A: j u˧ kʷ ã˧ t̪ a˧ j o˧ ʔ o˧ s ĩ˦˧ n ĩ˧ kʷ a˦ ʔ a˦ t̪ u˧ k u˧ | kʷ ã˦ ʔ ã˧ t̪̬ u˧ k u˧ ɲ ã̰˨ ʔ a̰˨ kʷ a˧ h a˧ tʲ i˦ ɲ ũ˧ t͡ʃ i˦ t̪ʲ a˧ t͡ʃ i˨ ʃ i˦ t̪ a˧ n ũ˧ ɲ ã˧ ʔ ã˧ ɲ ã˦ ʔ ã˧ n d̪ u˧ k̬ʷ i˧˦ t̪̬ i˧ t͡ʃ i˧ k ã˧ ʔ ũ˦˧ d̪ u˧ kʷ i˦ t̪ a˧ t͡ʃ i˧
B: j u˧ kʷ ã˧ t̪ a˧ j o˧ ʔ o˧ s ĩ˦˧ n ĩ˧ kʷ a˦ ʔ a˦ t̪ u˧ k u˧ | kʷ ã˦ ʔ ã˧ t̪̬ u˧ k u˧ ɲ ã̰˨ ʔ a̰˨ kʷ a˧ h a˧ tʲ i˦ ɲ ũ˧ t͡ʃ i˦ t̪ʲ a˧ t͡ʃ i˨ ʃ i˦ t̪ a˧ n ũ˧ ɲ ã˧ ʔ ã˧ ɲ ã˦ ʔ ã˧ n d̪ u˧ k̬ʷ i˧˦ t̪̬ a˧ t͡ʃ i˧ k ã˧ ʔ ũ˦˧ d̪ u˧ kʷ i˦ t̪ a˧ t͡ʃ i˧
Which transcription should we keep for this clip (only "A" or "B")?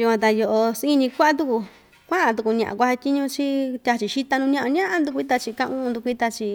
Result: B